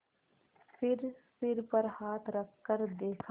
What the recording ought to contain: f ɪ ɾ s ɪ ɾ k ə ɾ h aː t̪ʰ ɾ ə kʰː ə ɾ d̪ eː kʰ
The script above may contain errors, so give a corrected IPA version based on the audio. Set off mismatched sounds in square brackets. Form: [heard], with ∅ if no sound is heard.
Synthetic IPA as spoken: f ɪ ɾ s ɪ ɾ [p] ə ɾ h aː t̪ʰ ɾ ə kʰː ə ɾ d̪ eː kʰ